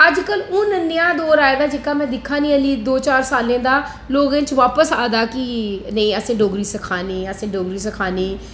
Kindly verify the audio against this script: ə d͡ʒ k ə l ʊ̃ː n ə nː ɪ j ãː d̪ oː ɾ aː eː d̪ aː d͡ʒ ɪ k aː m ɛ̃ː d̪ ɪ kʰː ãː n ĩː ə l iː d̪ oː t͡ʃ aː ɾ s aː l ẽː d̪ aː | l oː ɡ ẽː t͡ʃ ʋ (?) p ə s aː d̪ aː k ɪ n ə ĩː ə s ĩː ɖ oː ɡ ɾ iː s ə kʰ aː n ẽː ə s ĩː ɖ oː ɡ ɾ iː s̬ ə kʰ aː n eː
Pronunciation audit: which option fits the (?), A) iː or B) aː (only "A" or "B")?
B